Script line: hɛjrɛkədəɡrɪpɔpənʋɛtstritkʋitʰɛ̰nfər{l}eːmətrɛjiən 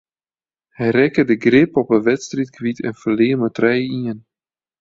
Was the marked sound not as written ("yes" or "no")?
no